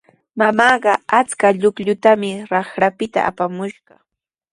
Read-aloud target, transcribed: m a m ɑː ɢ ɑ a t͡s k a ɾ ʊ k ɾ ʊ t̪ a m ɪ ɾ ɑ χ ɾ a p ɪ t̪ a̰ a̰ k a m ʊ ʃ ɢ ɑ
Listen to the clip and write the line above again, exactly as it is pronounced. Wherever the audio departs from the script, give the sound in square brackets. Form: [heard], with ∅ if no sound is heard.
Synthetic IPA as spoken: m a m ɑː ɢ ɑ a t͡s k a [ʎ] ʊ k [ʎ] ʊ t̪ a m ɪ ɾ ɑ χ ɾ a p ɪ t̪ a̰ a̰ [p] a m ʊ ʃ ɢ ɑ